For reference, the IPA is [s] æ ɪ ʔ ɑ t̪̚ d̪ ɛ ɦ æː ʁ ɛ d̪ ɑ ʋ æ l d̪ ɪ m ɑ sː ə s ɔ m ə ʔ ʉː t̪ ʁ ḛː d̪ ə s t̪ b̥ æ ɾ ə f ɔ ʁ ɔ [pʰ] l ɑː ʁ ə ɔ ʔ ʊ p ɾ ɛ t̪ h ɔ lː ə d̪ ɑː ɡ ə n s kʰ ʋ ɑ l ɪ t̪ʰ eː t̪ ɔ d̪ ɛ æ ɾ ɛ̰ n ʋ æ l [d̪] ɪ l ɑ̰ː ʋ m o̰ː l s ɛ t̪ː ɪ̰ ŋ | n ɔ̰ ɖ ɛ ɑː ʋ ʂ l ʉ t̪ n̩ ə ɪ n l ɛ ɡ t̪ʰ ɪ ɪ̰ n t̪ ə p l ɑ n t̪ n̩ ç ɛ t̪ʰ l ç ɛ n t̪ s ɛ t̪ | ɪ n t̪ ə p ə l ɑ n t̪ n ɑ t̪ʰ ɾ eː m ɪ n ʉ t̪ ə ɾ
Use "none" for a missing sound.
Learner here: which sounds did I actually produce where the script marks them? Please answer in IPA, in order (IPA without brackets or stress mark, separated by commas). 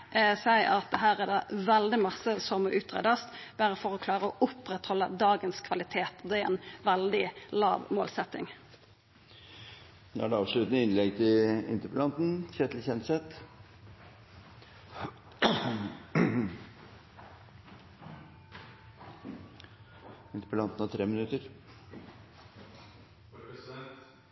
s, kʰ, d̪